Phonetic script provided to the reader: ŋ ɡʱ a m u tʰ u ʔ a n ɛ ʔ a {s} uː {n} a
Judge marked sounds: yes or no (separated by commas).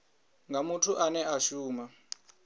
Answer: no, no